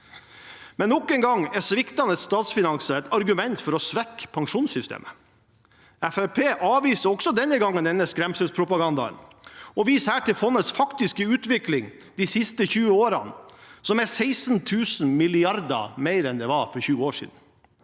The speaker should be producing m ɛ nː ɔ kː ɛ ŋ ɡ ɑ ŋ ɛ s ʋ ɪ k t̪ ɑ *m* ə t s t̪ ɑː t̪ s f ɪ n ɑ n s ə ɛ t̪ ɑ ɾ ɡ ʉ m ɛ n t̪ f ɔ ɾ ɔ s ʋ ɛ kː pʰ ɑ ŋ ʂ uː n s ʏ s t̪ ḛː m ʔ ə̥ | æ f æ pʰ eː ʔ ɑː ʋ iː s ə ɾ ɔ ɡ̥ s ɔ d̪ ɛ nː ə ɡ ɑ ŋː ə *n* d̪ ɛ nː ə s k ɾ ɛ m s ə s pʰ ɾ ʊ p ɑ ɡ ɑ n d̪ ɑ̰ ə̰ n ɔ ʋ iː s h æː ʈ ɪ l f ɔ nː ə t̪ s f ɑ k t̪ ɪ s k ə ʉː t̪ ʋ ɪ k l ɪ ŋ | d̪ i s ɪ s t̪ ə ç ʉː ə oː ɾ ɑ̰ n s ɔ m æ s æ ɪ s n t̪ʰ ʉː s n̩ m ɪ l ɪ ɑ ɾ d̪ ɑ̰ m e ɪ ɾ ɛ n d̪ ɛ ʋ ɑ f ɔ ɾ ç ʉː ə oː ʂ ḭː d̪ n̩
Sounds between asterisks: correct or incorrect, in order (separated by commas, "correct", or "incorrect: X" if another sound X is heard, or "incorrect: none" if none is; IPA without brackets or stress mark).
incorrect: n, correct